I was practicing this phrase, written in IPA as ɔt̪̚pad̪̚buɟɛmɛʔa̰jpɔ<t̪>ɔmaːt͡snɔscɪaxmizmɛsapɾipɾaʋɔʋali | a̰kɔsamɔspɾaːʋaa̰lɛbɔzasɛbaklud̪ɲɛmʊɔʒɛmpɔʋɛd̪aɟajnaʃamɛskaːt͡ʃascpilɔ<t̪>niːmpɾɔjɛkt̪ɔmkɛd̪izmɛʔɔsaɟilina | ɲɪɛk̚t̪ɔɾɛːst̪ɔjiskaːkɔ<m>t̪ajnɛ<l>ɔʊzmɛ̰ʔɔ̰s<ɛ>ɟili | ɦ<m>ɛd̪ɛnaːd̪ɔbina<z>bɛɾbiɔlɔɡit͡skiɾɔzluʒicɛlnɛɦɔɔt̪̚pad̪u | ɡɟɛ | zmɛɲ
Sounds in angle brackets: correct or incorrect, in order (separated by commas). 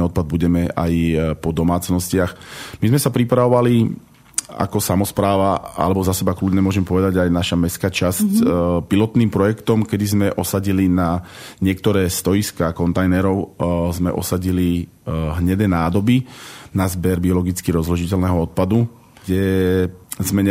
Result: incorrect, correct, incorrect, incorrect, incorrect, incorrect, correct